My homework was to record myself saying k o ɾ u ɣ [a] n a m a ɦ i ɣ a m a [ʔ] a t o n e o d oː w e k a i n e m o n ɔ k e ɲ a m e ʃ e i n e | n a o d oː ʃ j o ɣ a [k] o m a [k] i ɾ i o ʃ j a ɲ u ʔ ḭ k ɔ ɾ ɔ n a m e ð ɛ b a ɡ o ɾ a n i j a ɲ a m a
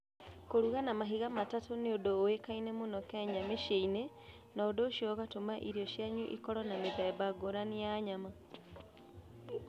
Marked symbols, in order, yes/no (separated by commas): yes, no, no, no